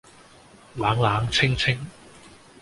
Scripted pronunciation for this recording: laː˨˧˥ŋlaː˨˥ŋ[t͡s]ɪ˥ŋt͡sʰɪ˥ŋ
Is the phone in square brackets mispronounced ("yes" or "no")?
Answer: yes